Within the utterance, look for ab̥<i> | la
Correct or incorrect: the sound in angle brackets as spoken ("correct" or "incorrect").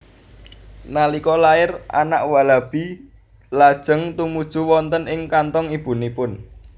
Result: correct